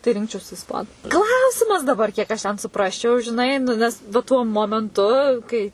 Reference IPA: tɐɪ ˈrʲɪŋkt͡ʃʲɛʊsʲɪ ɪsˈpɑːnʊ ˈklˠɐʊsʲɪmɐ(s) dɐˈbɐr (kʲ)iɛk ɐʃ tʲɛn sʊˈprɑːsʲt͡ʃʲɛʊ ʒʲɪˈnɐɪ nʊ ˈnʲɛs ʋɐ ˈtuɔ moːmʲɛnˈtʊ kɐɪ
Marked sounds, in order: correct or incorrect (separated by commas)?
correct, correct